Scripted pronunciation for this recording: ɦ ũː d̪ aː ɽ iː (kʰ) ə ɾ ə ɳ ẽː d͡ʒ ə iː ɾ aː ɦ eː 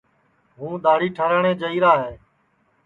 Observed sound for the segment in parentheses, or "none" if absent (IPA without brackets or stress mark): ʈʰ